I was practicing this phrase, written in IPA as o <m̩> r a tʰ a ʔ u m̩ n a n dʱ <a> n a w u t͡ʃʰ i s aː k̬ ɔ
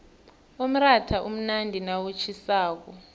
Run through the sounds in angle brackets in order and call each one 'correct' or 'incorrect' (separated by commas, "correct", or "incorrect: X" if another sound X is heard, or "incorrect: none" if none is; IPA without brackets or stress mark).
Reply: correct, incorrect: i